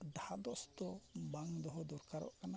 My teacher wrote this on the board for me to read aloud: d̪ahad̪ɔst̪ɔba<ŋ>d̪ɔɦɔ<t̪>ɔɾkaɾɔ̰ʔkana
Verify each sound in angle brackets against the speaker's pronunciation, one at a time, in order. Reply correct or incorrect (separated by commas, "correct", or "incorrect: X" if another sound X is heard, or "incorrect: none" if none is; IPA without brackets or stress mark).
correct, incorrect: d̪